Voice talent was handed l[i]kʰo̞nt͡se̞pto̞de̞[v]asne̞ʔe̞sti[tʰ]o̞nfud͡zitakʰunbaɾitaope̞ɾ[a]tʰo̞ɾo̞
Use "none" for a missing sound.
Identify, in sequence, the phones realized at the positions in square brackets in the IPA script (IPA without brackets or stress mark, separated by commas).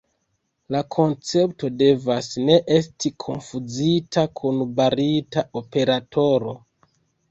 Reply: a, v, kʰ, a